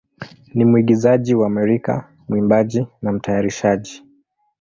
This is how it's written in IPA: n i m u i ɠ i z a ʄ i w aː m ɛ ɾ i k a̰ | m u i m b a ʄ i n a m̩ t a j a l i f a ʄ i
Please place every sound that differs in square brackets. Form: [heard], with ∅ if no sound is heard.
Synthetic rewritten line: n i m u i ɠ i z a ʄ i w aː m ɛ ɾ i k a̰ | m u i m b a ʄ i n a m̩ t a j a [ɾ] i [ʃ] a ʄ i